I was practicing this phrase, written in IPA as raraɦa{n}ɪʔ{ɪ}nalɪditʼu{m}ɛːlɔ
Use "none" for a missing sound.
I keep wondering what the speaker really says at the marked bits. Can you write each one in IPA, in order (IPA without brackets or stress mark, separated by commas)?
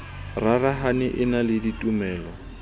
n, ɪ, m